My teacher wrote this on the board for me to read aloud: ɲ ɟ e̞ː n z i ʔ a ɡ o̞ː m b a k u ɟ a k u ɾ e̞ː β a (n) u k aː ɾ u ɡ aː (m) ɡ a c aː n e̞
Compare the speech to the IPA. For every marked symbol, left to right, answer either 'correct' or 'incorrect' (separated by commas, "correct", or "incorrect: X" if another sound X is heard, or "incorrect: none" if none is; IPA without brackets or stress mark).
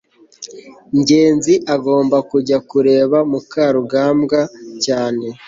incorrect: m, correct